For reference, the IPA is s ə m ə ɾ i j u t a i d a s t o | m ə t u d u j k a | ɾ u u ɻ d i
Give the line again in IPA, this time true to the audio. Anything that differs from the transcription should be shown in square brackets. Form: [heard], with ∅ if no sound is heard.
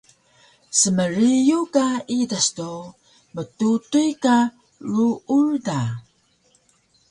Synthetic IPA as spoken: s ə m ə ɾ i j u [k] a i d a s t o | m ə t u [t] u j k a | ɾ u u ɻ d [a]